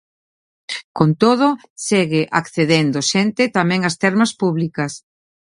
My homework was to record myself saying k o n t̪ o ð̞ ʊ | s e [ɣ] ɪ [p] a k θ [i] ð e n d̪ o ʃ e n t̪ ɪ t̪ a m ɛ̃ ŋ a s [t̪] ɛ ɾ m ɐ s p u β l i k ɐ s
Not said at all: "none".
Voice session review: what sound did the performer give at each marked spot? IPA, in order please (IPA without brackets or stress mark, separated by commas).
ɣ, ʔ, e, t̪